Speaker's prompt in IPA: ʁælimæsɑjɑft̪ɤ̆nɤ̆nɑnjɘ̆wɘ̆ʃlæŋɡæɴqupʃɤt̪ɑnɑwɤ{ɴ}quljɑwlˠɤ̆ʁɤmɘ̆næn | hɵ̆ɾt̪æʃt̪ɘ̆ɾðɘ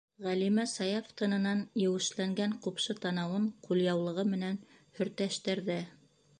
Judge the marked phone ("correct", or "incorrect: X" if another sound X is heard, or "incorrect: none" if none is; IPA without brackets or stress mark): correct